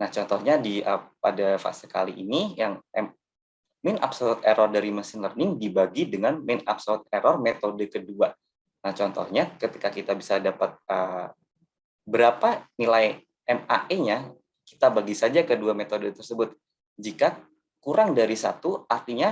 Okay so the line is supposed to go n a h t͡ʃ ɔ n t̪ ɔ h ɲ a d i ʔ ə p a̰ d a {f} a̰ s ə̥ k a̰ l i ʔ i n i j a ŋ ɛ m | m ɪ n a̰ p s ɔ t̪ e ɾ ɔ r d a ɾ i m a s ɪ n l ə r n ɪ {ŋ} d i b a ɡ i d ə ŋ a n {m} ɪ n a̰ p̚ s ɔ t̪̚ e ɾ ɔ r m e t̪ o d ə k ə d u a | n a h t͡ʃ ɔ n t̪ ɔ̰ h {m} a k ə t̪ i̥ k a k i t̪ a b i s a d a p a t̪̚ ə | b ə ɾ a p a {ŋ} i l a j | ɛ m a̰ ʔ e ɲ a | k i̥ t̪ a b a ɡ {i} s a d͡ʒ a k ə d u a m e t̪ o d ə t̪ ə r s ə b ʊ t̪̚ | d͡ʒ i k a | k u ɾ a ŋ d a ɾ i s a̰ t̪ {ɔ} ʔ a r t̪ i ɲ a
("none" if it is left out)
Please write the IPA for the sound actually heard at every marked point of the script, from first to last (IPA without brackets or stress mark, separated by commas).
f, ŋ, m, ɲ, n, i, u